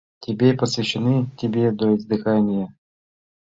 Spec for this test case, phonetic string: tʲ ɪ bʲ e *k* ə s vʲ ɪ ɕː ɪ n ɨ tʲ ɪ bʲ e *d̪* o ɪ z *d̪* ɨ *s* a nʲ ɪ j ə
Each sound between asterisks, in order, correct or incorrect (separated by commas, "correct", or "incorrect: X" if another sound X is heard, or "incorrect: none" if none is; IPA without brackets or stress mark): incorrect: p, correct, correct, incorrect: x